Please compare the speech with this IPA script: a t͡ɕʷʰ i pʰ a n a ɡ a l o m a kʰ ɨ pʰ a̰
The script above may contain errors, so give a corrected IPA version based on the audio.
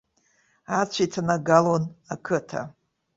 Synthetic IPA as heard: a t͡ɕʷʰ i tʰ a n a ɡ a l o n a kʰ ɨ tʰ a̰